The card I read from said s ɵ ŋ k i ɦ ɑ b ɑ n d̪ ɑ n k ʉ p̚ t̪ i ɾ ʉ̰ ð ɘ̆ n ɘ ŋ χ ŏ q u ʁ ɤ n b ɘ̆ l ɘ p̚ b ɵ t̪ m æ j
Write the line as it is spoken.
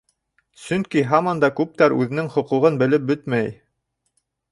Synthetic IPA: s ɵ ŋ k i ɦ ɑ m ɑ n d̪ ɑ k ʉ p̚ t̪ æ ɾ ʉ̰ ð ɘ̆ n ɘ ŋ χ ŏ q u ʁ ɤ n b ɘ̆ l ɘ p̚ b ɵ t̪ m æ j